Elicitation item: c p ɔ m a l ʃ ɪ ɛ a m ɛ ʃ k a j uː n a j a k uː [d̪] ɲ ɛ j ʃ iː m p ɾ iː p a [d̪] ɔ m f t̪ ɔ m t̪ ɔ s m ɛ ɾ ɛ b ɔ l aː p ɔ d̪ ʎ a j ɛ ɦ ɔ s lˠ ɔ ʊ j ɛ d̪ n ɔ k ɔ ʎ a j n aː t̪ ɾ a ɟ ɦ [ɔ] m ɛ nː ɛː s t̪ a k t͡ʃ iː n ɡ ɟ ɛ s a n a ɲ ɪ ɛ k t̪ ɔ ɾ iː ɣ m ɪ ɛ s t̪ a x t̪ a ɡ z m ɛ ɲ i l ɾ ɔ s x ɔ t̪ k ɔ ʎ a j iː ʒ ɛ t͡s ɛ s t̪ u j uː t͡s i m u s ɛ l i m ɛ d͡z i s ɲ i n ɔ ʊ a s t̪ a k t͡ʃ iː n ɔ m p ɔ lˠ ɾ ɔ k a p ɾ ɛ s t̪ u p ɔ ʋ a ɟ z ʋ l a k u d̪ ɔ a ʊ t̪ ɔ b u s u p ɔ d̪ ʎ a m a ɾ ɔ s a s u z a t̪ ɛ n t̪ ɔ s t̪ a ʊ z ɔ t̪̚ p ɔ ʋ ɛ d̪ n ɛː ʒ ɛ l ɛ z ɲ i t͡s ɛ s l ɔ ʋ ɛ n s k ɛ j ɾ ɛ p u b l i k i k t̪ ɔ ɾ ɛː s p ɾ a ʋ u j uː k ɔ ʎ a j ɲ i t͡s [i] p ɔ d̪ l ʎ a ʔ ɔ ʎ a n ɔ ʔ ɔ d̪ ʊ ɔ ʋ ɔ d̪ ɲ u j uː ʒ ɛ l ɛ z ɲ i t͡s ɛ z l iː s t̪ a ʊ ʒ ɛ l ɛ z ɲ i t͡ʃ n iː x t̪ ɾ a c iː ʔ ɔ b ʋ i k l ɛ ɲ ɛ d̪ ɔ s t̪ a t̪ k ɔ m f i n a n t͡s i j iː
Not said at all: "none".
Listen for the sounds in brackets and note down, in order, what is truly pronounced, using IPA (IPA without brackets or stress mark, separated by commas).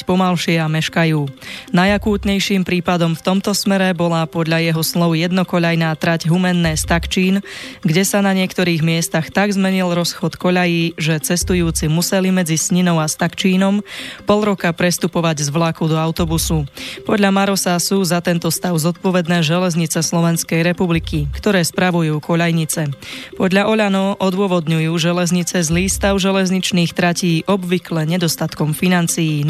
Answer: t̪, d̪, u, ɛ